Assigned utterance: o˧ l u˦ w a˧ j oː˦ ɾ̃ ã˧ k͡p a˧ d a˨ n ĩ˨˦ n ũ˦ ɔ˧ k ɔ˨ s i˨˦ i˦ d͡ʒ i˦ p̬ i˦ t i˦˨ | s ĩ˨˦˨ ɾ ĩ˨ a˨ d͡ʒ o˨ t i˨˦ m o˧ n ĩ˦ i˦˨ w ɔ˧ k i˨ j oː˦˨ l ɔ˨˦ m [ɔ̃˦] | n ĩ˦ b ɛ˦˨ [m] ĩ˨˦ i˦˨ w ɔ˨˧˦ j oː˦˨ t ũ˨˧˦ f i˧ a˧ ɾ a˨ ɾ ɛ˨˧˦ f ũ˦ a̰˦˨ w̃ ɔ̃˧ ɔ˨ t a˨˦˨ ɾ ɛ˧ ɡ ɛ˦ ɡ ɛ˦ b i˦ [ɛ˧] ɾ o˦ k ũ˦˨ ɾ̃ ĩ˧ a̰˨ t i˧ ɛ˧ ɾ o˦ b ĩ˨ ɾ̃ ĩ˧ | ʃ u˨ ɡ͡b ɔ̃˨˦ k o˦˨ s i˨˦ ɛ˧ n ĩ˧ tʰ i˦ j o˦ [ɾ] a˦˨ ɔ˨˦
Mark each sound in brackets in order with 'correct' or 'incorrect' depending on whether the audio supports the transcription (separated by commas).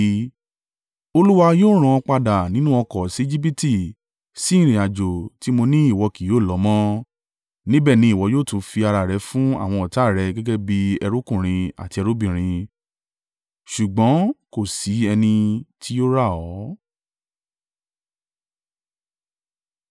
correct, incorrect, correct, correct